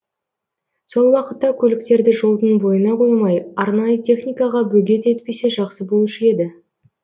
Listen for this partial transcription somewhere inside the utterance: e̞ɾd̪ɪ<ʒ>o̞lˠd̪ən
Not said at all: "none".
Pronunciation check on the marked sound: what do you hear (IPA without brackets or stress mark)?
ʒ